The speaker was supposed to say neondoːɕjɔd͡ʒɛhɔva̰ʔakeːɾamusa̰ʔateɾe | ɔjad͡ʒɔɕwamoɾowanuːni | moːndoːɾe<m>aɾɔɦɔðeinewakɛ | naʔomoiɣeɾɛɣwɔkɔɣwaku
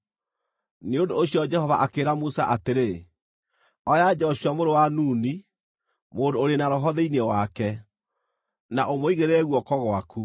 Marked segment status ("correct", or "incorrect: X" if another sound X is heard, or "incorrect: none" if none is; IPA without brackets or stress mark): incorrect: n